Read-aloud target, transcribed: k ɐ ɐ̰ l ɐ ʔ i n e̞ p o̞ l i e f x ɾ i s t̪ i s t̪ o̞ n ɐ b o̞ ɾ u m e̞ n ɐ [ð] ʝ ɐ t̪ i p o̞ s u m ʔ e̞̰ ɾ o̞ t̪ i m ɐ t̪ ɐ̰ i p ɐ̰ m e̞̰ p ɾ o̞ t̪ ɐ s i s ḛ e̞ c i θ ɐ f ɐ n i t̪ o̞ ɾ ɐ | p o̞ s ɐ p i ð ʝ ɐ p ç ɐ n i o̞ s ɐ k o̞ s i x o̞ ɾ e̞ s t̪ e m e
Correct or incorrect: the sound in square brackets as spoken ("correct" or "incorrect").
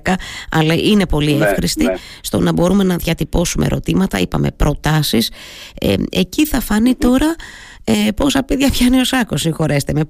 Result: correct